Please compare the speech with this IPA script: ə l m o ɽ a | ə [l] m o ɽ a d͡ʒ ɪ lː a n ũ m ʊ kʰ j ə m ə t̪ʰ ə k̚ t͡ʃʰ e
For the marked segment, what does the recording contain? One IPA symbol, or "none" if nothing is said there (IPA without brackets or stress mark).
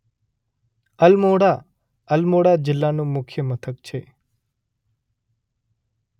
l